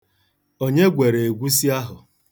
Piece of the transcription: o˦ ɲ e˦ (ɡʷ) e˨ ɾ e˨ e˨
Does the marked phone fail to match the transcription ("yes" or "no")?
no